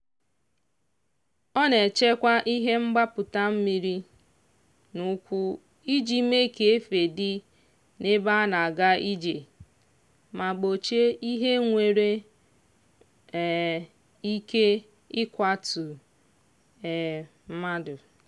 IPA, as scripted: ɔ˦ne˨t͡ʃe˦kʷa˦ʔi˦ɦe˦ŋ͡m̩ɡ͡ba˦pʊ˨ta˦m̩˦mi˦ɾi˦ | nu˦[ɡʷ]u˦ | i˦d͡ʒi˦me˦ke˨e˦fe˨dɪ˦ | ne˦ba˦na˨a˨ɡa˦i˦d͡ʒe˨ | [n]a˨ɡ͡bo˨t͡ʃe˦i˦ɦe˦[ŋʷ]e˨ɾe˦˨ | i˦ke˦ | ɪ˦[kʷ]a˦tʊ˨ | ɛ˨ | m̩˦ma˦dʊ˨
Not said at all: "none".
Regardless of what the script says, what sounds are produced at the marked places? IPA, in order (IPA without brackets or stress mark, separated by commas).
kʷ, m, ŋʷ, kʷ